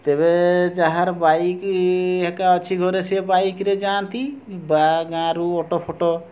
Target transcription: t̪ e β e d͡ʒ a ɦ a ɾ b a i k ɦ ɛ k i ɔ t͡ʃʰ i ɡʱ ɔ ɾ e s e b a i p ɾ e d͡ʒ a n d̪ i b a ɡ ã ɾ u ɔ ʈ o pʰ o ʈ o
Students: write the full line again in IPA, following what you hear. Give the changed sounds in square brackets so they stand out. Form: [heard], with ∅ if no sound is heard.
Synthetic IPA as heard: t̪ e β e d͡ʒ a ɦ a ɾ b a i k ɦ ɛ k [a] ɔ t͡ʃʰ i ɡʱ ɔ ɾ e s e b a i [k] ɾ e d͡ʒ a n [t̪] i b a ɡ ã ɾ u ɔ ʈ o pʰ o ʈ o